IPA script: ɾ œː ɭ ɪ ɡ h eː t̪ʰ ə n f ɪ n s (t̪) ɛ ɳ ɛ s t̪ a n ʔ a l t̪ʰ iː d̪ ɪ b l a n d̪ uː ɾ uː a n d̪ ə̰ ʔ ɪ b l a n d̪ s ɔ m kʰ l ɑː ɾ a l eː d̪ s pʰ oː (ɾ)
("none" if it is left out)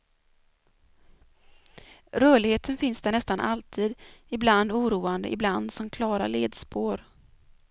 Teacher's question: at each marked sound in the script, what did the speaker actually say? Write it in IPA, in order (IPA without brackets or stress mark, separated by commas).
d̪, ɾ